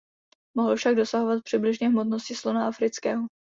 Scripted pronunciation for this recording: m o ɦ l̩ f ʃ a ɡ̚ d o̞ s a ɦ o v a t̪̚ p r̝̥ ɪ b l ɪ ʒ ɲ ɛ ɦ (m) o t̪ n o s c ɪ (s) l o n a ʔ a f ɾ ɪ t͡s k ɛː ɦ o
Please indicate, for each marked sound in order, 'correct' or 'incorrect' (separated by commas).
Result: correct, correct